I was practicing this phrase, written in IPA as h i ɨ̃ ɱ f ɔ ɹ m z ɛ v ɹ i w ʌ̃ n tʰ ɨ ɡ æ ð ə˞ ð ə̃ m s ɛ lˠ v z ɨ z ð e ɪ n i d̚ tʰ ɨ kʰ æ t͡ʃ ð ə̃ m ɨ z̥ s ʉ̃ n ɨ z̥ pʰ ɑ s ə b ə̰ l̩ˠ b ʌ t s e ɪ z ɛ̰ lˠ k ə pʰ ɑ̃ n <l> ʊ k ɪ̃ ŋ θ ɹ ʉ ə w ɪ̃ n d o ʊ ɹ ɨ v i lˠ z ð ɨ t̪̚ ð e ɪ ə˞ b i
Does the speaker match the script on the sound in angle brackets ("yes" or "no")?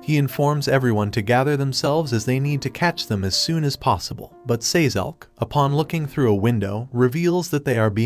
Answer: yes